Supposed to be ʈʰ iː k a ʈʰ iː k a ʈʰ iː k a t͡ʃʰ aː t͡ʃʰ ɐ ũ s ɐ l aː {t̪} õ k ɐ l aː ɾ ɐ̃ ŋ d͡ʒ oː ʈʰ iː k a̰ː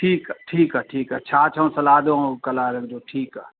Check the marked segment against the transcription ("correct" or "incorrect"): incorrect